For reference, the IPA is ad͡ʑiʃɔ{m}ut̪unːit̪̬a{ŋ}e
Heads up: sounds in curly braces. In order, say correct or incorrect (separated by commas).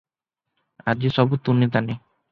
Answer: incorrect, incorrect